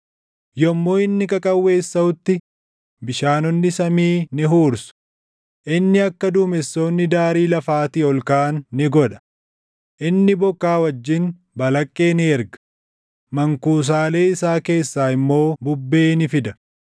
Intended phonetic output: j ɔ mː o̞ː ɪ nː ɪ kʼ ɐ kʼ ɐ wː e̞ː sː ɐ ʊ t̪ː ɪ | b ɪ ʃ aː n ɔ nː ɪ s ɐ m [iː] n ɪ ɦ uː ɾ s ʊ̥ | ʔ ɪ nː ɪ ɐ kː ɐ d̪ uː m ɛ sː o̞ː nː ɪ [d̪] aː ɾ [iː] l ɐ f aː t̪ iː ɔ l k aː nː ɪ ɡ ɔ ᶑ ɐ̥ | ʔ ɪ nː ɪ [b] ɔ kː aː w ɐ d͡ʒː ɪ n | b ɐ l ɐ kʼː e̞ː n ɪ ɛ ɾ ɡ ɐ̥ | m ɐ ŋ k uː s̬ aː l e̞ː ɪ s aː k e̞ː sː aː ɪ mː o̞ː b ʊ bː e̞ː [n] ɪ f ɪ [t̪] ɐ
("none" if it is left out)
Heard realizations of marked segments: iː, d̪, iː, b, n, d̪

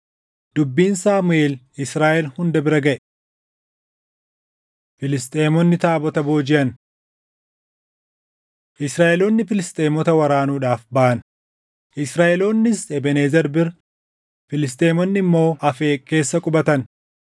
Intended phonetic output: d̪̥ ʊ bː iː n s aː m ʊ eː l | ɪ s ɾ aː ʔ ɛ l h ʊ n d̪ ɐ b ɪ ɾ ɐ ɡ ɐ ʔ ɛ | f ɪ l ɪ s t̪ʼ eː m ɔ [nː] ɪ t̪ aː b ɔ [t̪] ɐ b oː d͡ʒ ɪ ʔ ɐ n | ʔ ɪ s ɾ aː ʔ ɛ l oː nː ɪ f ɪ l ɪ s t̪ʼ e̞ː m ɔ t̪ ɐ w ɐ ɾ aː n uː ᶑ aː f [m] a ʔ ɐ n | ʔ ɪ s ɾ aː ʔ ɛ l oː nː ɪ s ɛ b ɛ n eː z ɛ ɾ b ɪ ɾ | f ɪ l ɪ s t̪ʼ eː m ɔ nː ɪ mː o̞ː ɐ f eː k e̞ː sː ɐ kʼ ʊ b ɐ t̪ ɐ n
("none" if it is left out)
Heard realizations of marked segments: nː, t̪, b

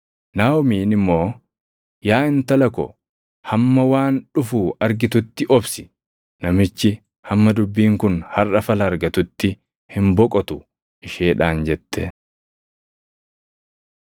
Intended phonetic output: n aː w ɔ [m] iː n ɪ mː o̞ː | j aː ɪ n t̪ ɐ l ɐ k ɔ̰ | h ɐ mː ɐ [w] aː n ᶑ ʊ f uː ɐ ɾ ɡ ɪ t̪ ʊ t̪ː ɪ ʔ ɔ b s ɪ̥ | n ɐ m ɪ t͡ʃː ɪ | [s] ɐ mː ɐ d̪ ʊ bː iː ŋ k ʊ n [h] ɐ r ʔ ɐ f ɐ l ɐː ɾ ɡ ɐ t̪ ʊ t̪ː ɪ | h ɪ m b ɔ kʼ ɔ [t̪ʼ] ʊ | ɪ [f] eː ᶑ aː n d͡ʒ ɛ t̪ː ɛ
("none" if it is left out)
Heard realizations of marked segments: m, w, h, h, t̪, ʃ

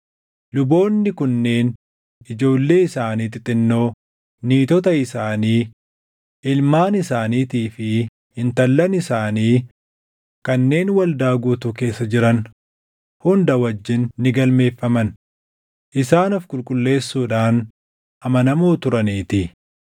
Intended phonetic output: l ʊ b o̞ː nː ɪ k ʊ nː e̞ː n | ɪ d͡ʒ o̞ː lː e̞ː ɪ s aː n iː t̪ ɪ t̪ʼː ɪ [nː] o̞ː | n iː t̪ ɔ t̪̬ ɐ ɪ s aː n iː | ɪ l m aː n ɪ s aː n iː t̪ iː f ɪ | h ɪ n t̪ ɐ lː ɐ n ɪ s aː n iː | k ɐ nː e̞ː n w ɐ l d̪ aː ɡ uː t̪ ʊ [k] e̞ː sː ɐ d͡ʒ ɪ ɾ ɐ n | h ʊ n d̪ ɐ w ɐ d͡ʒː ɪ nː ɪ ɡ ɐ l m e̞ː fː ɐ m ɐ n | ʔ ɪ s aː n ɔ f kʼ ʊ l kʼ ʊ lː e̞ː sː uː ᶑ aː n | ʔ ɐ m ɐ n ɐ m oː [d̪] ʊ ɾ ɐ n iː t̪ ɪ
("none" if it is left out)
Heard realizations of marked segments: nː, k, t̪

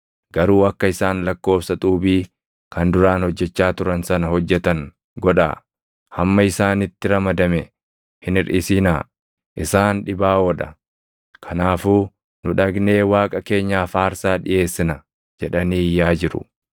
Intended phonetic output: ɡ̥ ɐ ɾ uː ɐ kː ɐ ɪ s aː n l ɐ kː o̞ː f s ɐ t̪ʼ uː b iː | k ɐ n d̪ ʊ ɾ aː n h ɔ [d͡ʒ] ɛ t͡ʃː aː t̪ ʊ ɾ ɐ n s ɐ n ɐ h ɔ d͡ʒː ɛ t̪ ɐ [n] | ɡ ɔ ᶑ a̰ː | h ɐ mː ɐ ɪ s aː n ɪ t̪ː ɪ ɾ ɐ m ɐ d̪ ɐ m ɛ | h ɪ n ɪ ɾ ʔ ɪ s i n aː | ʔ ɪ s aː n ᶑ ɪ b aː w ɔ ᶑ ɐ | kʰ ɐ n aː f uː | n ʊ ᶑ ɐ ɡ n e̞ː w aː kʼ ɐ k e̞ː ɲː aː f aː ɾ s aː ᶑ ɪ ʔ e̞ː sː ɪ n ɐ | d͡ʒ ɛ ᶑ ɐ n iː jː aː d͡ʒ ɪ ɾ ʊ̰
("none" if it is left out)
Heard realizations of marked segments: d͡ʒː, ŋ

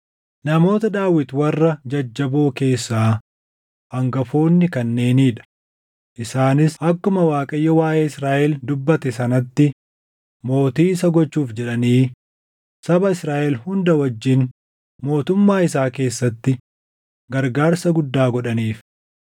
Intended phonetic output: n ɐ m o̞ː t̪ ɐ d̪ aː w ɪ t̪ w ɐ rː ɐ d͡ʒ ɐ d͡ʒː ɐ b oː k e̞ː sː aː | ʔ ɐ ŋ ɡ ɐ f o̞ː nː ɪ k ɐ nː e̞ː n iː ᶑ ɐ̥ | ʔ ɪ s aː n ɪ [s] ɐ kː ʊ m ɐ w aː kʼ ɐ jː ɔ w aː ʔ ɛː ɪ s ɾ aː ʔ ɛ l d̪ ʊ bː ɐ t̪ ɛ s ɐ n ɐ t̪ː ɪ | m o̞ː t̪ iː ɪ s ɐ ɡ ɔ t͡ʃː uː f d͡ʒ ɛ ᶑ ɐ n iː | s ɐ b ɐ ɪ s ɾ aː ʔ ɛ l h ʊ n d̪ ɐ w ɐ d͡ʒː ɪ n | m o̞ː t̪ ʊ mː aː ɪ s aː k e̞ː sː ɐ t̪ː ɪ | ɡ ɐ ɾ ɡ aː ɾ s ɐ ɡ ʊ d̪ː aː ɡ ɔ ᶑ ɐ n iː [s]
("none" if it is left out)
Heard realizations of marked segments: s, f

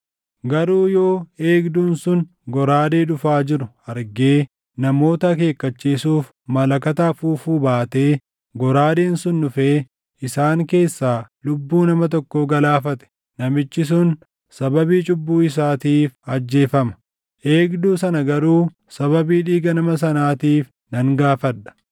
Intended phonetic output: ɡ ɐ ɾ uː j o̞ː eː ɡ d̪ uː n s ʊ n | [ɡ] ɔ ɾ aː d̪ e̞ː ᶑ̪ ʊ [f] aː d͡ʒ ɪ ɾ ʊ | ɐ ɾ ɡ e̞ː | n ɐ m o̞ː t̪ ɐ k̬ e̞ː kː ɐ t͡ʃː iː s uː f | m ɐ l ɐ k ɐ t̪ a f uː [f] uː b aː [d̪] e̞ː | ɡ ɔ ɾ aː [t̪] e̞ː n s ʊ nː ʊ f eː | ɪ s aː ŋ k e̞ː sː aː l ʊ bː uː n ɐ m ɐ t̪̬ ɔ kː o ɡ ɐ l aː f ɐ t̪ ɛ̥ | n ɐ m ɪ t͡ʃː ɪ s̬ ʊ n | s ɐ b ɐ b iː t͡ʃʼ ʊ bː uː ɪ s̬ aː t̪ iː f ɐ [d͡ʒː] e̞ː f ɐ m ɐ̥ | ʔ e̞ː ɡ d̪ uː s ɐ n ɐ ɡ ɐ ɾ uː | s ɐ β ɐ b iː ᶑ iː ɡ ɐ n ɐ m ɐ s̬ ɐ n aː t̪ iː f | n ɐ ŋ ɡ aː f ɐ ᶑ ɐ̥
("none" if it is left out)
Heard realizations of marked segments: ɡ, f, f, t̪, d̪, d͡ʒː

